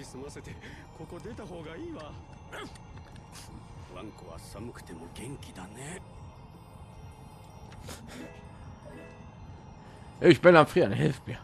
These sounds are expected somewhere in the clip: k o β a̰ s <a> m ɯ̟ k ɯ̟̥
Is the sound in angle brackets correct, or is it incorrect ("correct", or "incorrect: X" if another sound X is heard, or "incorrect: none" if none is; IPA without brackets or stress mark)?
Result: correct